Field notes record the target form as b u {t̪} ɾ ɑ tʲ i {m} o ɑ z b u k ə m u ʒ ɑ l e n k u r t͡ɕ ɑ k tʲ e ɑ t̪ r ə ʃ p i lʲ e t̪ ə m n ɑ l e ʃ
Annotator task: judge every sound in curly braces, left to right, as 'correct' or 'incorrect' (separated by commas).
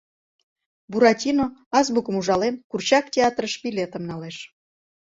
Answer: incorrect, incorrect